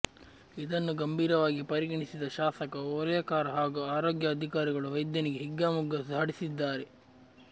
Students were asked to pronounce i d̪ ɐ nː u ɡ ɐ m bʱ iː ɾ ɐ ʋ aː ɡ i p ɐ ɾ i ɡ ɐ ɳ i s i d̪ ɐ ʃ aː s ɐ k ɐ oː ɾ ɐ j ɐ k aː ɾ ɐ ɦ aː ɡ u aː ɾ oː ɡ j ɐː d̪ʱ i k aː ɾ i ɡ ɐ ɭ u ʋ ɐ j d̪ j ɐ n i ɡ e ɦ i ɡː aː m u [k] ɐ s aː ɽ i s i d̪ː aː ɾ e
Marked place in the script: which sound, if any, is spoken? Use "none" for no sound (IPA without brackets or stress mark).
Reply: ɡ